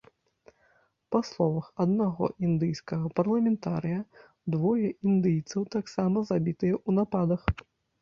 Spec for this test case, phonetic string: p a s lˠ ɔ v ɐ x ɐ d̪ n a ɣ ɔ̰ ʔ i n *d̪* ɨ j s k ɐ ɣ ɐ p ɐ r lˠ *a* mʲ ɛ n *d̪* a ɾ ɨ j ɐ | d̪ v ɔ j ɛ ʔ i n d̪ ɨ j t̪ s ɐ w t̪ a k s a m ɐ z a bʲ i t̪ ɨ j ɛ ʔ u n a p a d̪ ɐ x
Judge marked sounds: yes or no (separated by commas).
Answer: yes, no, no